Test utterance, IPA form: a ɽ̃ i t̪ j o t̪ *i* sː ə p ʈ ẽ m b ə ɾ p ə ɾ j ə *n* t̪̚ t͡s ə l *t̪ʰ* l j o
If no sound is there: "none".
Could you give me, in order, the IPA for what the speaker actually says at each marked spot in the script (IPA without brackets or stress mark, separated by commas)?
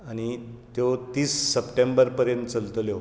iː, n, t̪